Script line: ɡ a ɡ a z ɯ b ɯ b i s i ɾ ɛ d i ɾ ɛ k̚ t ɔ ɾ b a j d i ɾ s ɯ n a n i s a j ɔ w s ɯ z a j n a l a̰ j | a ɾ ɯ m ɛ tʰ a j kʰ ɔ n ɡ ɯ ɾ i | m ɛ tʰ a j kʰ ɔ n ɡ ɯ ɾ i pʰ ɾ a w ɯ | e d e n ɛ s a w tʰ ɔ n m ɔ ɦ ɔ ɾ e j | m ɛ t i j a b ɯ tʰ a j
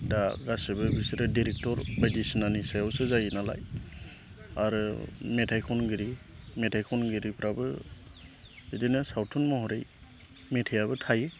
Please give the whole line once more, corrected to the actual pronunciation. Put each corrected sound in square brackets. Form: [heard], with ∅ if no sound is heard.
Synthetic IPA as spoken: [d] a ɡ a [s] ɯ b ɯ b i s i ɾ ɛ d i ɾ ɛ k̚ t ɔ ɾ b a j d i [∅] s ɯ n a n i s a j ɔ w s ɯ z a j n a l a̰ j | a ɾ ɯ m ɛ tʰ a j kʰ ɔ n ɡ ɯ ɾ i | m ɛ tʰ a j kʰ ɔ n ɡ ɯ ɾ i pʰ ɾ a [b] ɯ | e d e n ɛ s a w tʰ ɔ n m ɔ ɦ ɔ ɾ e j | m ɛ [tʰ] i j a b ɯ tʰ a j